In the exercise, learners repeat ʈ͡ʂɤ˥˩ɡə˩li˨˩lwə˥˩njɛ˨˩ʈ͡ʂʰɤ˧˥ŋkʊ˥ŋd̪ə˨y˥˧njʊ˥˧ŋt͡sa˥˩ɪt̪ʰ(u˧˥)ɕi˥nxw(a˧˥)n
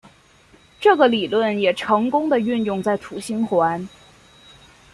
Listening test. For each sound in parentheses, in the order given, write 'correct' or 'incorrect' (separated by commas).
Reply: incorrect, correct